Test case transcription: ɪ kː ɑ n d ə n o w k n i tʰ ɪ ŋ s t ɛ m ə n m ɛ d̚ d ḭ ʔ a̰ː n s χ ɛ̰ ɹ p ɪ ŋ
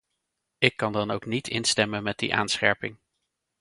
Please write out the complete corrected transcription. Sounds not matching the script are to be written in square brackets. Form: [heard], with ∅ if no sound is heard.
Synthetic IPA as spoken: ɪ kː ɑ n d [ɑ] n o w k n i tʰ ɪ [n] s t ɛ m ə n m ɛ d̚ d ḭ ʔ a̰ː n s χ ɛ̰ ɹ p ɪ ŋ